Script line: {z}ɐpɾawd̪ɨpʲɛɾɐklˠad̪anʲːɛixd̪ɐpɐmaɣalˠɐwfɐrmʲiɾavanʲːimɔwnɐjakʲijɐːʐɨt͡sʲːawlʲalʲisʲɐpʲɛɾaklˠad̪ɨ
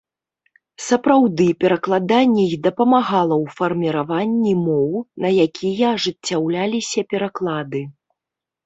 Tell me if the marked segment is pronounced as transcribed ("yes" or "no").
no